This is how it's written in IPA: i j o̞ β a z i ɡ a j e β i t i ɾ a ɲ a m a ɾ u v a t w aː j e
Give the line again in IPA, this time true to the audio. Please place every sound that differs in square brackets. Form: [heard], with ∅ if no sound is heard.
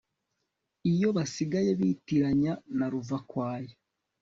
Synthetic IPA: i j o̞ β a [s] i ɡ a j e β i t i ɾ a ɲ a [n] a ɾ u v a [k] w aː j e